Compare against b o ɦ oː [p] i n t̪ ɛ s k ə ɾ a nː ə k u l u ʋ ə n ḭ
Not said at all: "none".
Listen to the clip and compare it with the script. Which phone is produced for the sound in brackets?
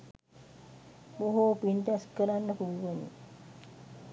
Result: p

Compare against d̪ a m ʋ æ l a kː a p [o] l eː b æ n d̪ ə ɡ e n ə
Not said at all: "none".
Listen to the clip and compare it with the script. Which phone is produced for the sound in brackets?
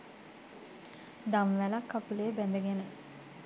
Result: u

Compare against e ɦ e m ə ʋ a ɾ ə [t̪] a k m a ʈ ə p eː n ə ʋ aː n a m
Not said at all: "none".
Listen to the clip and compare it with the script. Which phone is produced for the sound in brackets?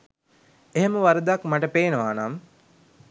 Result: d̪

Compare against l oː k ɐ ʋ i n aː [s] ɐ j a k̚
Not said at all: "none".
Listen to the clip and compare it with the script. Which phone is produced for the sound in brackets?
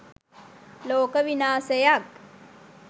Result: s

